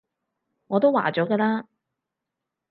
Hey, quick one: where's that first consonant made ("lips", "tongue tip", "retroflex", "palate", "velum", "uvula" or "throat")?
velum